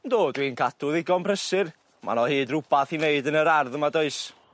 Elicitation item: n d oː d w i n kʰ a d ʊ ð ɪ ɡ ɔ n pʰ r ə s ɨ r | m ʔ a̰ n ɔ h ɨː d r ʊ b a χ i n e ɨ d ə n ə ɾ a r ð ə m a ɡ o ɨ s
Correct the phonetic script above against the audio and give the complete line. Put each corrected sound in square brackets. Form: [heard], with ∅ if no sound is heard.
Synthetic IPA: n d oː d w i n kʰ a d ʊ ð ɪ ɡ ɔ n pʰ r ə s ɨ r | m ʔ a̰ n ɔ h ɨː d r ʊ b a [θ] i n e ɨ d ə n ə ɾ a r ð ə m a [d] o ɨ s